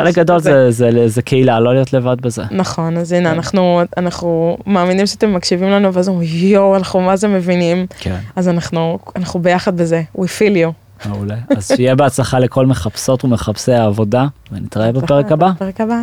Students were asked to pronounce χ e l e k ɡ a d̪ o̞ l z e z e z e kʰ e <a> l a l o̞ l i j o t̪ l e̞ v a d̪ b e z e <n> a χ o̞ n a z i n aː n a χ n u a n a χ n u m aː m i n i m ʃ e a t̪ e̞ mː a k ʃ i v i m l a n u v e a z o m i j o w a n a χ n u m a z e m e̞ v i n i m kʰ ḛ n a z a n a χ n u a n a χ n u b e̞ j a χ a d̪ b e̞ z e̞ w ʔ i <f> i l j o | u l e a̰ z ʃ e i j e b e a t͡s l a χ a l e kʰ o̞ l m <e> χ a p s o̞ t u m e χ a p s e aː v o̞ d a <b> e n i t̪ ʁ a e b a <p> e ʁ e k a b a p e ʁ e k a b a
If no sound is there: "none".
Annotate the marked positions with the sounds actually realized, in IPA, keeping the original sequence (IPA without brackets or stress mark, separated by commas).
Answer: i, n, f, e, v, p